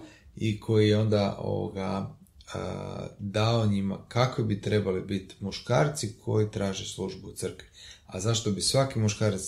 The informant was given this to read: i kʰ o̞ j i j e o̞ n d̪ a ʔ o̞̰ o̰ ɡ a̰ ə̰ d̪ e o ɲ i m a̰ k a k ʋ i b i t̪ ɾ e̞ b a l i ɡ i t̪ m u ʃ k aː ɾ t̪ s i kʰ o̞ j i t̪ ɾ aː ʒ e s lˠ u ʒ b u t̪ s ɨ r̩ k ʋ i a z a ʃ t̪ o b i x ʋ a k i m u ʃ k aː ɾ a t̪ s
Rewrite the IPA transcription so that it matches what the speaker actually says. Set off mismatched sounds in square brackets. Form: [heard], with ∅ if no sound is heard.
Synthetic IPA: i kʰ o̞ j i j e o̞ n d̪ a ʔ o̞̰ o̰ ɡ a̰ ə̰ d̪ [a] o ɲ i m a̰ k a k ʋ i b i t̪ ɾ e̞ b a l i [b] i t̪ m u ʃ k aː ɾ t̪ s i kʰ o̞ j i t̪ ɾ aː ʒ e s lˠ u ʒ b u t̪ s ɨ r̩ k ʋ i a z a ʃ t̪ o b i [s] ʋ a k i m u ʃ k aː ɾ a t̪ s